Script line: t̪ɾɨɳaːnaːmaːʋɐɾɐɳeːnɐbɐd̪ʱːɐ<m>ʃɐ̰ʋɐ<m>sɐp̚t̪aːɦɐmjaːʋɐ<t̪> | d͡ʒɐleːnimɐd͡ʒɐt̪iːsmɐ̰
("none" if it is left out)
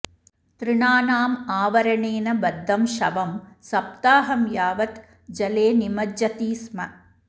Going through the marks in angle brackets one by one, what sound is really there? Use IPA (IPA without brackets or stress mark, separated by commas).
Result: m, m, t̪